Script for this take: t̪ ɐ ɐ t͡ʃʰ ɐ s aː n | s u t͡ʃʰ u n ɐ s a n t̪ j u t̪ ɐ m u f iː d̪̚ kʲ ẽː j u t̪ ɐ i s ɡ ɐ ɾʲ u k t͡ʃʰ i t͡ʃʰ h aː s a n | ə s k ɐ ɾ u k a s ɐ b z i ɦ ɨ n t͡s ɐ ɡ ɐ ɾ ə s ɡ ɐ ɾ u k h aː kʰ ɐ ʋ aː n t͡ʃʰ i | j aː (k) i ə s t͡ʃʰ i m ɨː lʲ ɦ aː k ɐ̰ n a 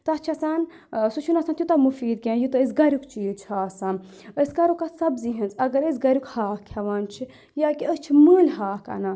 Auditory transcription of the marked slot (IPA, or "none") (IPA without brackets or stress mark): k